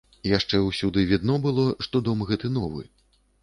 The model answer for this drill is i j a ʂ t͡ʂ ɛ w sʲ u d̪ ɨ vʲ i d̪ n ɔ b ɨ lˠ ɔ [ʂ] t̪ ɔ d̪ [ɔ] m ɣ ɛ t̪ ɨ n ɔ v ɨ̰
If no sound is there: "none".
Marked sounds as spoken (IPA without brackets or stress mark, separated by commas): ʂ, ɔ